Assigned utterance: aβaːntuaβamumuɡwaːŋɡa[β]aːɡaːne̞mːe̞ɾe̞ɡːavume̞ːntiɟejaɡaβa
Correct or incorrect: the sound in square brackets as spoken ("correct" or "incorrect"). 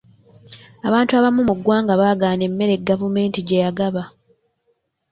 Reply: correct